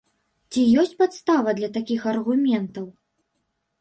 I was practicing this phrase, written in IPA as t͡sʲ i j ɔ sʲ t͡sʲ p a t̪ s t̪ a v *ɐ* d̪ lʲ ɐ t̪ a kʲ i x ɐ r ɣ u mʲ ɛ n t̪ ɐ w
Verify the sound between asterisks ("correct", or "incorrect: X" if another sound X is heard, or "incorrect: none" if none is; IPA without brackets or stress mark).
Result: correct